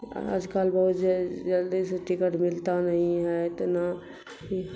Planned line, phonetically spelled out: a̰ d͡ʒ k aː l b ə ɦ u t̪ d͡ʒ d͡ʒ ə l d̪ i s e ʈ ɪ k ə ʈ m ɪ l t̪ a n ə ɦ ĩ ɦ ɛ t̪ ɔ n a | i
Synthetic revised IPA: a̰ d͡ʒ k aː l b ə ɦ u t̪ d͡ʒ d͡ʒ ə l d̪ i s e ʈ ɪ k ə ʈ m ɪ l t̪ a n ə ɦ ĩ ɦ ɛ t̪ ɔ n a | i